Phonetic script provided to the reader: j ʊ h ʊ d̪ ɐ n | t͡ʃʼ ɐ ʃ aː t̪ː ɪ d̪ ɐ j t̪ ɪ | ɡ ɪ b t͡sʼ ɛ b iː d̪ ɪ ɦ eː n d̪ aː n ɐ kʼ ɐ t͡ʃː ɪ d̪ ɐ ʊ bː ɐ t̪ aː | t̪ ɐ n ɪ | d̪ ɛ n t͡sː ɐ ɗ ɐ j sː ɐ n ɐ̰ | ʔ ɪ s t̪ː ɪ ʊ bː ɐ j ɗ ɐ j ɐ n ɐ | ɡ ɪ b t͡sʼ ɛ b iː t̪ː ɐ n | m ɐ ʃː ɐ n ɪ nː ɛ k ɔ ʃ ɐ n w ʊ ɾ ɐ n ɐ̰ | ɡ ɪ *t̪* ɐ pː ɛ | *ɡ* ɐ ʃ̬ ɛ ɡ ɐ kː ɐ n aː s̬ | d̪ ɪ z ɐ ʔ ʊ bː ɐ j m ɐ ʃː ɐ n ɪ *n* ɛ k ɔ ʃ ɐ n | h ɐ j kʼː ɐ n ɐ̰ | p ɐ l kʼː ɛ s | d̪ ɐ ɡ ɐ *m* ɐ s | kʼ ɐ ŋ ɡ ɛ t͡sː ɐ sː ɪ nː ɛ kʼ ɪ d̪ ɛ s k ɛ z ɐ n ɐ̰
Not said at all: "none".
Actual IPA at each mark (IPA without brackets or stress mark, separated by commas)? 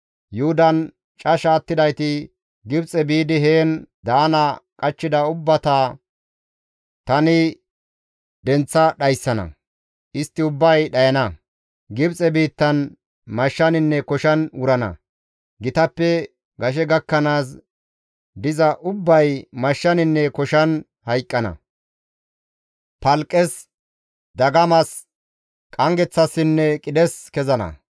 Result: t̪, ɡ, nː, m